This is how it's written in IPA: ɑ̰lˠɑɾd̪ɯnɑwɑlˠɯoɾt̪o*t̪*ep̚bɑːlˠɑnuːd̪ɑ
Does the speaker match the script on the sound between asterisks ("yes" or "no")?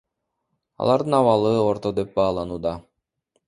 no